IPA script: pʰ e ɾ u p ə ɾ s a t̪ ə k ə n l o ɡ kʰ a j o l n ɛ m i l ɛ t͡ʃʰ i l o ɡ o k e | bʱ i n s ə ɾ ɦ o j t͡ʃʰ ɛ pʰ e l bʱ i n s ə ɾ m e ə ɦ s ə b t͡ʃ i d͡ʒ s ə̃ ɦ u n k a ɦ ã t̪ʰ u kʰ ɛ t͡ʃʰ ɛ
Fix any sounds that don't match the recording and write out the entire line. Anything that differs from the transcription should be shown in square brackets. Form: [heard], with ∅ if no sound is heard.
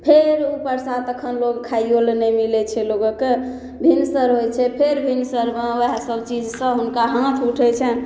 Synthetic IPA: pʰ e ɾ u p ə ɾ s a t̪ ə [kʰ] ə n l o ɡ kʰ a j o l n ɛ m i l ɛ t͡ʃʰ [ɛ] l o ɡ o k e | bʱ i n s ə ɾ ɦ o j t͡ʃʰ ɛ pʰ e [ɾ] bʱ i n s ə ɾ m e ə ɦ s ə b t͡ʃ i d͡ʒ s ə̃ ɦ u n k a ɦ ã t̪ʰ u [ʈʰ] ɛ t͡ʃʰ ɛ